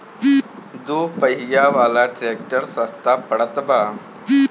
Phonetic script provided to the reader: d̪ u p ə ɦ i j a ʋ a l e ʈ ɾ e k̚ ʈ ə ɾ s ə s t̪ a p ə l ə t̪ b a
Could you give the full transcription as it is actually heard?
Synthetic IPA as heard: d̪ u p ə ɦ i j a ʋ a l a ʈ ɾ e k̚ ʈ ə ɾ s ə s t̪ a p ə ɽ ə t̪ b a